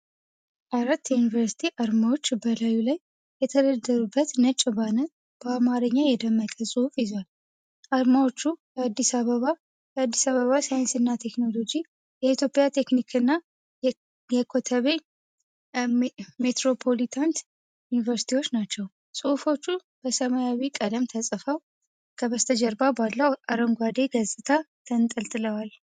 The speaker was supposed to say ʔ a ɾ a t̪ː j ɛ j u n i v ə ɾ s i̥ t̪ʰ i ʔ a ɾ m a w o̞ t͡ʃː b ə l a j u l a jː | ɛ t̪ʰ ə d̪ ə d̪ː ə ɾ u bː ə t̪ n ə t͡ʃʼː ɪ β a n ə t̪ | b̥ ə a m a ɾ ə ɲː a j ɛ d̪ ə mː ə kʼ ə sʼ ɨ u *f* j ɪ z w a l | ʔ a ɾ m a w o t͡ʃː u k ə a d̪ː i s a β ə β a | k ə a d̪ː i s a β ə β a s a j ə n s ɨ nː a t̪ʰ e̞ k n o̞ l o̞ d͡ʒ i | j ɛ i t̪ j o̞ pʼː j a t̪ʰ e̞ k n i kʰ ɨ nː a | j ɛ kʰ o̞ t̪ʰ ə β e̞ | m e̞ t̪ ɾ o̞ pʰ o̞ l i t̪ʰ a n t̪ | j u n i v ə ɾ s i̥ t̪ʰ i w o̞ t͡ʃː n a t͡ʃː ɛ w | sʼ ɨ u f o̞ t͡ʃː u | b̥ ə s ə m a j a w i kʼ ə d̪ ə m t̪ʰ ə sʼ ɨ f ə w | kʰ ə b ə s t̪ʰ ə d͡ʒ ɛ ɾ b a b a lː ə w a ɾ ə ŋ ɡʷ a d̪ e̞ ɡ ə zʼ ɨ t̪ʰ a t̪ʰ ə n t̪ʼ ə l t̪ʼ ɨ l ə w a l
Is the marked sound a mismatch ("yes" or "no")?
no